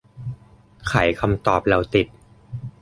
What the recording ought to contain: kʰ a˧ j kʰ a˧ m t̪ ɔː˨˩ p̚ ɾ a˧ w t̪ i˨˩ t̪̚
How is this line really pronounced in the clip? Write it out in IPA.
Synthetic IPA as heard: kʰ a˩˦ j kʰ a˧ m t̪ ɔː˨˩ p̚ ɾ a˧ w t̪ i˨˩ t̪̚